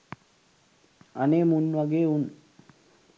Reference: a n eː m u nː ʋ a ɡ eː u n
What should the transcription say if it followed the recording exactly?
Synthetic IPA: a n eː m u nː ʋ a ɡ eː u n